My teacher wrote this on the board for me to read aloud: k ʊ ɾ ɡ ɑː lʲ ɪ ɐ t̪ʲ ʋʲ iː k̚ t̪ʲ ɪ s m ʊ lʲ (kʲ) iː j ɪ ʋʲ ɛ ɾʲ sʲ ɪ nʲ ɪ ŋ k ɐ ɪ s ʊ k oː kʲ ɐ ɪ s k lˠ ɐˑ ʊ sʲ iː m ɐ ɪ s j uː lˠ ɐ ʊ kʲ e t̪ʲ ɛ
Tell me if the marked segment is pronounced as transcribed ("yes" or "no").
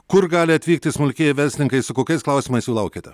yes